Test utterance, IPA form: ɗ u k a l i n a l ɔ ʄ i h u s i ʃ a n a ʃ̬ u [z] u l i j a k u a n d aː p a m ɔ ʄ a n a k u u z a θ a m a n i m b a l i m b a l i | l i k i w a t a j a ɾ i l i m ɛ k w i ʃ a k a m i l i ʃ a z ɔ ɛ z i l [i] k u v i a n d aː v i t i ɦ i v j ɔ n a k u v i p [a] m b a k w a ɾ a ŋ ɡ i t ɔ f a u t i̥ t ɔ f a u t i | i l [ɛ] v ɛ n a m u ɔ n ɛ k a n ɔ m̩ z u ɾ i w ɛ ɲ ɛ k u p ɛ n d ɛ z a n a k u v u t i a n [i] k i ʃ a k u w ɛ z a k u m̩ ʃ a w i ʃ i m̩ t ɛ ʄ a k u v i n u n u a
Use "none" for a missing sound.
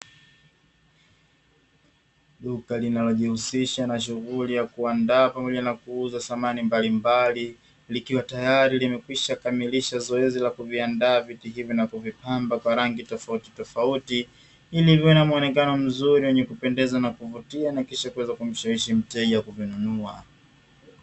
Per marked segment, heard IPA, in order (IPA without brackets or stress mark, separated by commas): ɣ, a, a, i, a